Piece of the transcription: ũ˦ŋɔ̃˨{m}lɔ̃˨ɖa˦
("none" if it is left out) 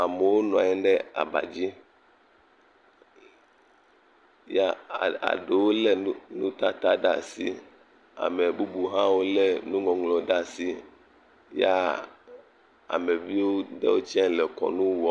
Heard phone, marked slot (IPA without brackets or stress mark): ŋ